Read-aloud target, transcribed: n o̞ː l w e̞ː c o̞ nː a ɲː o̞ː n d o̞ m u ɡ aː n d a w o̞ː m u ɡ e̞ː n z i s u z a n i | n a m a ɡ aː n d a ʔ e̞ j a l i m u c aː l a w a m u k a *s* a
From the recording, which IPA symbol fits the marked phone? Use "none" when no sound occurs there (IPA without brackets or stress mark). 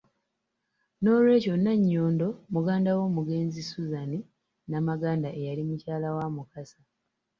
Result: s